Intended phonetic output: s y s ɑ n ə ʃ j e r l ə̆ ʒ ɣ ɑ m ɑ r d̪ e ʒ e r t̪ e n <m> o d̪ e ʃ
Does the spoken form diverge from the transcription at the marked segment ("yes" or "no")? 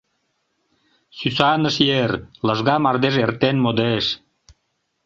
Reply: no